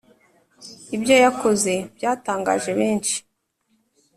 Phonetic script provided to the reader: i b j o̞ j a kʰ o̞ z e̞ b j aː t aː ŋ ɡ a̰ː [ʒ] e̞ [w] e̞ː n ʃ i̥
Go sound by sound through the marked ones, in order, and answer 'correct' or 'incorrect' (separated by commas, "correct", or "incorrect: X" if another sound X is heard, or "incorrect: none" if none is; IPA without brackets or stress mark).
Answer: correct, incorrect: β